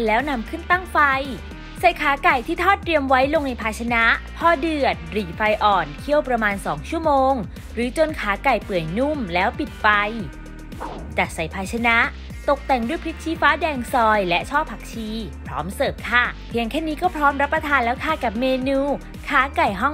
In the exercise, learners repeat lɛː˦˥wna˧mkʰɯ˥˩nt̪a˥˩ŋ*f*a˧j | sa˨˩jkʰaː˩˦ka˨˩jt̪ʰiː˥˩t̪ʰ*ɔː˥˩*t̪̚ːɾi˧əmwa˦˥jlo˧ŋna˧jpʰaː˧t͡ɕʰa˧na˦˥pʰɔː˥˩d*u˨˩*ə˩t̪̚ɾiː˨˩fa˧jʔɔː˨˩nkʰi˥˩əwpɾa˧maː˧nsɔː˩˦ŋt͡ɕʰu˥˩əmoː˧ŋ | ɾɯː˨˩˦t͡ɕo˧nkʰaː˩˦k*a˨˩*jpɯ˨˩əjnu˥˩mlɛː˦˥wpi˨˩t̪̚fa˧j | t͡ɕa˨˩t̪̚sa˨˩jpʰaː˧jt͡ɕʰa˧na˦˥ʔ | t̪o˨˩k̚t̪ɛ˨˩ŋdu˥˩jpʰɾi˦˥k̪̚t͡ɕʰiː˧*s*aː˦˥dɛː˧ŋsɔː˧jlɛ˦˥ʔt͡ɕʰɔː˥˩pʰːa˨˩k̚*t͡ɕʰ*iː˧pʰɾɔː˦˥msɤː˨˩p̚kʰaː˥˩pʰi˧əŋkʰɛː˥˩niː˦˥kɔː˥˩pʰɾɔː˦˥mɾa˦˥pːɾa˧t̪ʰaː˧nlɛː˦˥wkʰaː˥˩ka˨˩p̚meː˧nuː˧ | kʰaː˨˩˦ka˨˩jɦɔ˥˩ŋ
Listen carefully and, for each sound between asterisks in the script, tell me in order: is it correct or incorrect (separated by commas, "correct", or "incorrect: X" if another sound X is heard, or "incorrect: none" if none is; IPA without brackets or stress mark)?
correct, correct, incorrect: ɯ˨˩, correct, incorrect: f, correct